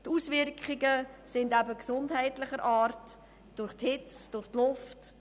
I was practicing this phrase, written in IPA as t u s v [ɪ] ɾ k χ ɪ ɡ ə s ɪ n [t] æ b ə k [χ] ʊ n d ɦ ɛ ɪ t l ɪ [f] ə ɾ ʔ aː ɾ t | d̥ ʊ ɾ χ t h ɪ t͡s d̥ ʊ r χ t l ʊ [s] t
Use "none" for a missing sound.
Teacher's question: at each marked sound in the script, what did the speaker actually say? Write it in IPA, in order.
ɪ, d, s, χ, f

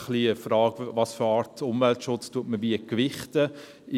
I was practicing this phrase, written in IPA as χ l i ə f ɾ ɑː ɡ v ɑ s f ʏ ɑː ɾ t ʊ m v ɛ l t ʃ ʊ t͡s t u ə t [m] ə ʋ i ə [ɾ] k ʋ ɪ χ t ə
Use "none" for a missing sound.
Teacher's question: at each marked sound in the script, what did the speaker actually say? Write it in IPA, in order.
m, none

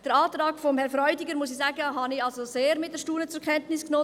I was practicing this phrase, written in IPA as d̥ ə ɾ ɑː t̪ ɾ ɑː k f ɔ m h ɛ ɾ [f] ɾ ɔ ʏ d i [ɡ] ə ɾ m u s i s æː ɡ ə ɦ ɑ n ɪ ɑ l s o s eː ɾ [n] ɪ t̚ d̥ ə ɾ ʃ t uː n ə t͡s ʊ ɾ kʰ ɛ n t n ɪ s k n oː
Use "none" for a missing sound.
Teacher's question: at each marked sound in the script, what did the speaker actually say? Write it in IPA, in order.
f, ɡ, m

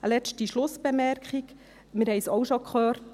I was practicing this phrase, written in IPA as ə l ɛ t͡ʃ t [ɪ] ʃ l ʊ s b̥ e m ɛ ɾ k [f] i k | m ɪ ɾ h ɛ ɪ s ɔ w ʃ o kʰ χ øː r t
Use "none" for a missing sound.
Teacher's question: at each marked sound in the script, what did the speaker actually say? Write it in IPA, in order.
i, χ

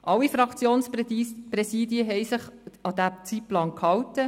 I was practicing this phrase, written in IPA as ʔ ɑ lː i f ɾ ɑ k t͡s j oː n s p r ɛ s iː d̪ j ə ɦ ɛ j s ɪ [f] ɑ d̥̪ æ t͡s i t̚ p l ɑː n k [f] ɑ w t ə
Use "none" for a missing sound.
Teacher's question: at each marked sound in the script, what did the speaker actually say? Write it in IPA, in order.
χ, h

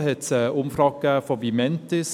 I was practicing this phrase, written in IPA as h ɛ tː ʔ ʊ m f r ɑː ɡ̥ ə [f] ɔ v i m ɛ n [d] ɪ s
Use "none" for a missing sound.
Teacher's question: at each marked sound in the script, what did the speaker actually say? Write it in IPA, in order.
f, t

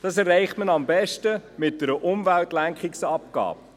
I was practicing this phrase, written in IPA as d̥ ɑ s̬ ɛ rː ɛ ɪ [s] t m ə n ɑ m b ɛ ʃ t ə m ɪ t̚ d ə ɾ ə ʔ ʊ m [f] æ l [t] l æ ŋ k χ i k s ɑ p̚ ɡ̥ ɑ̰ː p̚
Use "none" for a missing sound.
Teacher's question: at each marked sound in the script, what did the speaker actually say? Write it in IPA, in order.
χ, v, t

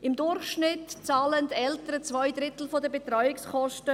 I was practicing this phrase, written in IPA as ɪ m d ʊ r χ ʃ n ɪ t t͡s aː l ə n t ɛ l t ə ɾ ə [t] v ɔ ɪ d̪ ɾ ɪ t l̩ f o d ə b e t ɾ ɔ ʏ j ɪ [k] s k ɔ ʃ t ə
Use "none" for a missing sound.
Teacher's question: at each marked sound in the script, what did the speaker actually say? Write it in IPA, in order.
t͡s, k

